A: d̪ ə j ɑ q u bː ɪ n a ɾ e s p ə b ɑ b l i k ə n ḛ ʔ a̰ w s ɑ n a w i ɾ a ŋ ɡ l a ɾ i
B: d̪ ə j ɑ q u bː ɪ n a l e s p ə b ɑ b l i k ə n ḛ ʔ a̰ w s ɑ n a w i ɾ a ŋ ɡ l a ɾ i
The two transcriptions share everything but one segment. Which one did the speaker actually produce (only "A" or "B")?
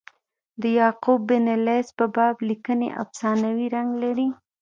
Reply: B